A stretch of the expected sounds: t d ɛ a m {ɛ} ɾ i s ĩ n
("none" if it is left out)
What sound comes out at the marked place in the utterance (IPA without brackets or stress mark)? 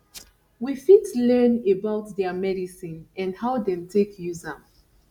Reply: ɛ